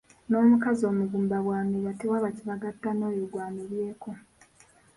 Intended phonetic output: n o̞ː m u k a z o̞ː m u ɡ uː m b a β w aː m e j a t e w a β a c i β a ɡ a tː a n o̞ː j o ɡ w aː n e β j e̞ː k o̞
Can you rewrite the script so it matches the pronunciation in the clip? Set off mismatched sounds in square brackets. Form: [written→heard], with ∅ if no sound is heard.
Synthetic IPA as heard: n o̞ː m u k a z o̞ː m u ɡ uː m b a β w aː m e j a t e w a β a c i β a ɡ a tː a n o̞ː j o ɡ w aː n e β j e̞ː k o̞